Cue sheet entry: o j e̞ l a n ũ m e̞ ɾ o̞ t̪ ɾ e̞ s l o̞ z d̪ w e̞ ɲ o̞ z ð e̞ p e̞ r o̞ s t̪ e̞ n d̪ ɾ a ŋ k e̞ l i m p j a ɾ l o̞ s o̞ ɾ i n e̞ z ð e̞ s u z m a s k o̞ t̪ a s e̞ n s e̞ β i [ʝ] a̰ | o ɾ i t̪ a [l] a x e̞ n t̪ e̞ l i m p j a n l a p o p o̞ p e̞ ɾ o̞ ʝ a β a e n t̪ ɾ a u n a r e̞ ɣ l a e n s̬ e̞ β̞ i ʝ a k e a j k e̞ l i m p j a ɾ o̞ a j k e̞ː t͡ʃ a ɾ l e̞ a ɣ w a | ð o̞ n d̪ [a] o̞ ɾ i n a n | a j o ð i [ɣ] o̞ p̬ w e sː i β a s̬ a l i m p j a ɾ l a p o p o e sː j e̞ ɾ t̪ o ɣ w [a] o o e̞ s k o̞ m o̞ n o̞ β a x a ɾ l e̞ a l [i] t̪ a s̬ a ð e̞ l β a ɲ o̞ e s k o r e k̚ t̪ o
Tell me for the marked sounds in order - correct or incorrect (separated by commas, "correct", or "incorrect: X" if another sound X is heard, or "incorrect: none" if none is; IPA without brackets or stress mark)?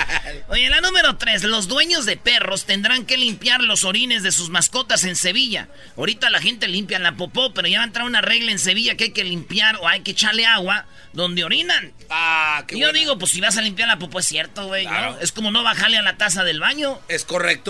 correct, correct, incorrect: e, correct, incorrect: e, incorrect: a